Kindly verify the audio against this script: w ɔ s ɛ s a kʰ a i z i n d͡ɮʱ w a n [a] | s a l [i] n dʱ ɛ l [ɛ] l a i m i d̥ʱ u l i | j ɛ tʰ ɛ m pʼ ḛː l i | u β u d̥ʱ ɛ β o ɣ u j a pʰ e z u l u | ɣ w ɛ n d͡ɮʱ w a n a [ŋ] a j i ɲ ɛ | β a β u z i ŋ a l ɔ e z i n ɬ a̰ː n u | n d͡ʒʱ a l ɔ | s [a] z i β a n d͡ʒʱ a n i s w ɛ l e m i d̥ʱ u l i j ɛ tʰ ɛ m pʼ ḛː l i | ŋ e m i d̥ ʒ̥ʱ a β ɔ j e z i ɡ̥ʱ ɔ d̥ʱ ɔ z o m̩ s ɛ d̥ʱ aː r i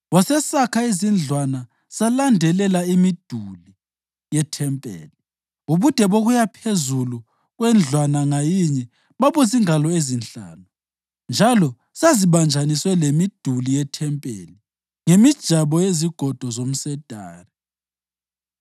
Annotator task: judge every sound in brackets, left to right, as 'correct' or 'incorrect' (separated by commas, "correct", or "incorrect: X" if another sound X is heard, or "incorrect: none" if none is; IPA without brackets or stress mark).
correct, incorrect: a, correct, correct, correct